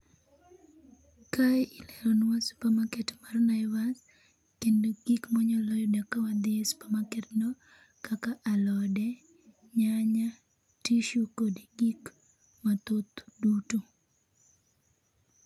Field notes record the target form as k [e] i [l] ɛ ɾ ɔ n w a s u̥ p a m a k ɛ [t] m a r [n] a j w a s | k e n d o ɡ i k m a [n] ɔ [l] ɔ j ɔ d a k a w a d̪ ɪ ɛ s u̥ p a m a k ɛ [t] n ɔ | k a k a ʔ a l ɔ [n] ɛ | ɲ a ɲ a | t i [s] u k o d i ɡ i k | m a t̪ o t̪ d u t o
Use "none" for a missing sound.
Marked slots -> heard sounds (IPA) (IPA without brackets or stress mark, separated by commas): a, l, t, n, ɲ, l, t, d, ʃ